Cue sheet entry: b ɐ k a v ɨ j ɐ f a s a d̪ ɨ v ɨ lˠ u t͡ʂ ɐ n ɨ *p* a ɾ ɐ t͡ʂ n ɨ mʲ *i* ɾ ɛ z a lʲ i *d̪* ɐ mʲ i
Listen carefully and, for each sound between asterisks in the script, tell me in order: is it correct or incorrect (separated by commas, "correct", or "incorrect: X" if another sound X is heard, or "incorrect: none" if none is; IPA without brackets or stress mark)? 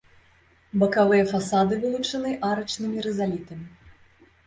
incorrect: ʔ, correct, incorrect: t̪